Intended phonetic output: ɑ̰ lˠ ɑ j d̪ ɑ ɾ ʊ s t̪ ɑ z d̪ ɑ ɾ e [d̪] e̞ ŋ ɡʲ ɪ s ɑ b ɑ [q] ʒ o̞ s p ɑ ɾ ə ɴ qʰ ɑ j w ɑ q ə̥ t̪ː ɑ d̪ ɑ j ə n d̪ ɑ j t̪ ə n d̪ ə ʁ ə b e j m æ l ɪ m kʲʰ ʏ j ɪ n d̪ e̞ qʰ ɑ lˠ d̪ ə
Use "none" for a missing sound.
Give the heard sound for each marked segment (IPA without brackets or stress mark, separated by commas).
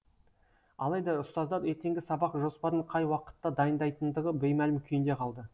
t̪, q